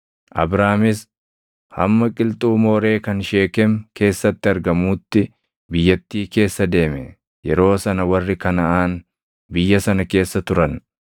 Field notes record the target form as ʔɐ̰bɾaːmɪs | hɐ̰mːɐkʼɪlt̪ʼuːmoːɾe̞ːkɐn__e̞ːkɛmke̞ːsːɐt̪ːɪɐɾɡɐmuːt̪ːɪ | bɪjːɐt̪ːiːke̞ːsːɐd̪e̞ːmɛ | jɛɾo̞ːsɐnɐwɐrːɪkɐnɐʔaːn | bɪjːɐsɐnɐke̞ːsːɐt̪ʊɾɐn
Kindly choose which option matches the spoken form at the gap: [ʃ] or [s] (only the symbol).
ʃ